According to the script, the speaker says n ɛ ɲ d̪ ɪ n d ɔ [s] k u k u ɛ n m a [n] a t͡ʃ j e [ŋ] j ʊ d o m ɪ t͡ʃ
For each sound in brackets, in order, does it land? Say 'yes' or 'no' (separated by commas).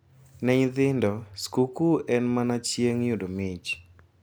yes, yes, yes